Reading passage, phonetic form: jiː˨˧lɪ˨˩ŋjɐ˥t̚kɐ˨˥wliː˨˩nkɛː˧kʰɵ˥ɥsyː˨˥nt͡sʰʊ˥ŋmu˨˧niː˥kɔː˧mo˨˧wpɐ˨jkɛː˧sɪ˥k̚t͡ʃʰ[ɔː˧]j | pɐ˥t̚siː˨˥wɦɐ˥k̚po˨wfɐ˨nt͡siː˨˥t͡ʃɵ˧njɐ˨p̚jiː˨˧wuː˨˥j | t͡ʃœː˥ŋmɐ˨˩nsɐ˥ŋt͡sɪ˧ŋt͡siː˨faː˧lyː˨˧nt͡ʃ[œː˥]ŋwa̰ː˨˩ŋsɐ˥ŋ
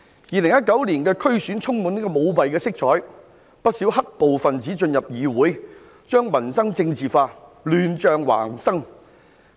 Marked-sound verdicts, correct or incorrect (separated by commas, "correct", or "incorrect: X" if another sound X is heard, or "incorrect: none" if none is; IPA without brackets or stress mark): incorrect: ɔː˨˥, incorrect: œː˨